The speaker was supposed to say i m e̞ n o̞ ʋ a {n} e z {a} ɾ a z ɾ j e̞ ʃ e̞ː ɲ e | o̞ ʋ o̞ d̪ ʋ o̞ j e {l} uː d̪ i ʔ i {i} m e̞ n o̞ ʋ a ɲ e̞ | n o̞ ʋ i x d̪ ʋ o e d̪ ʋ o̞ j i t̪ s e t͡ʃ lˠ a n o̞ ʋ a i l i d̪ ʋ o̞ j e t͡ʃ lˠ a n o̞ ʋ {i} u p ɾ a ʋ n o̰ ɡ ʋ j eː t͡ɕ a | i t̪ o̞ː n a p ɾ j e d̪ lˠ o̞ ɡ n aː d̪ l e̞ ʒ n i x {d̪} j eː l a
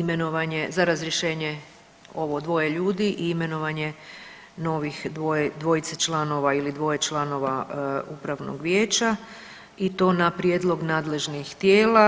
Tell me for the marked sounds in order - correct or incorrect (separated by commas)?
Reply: incorrect, correct, incorrect, correct, incorrect, incorrect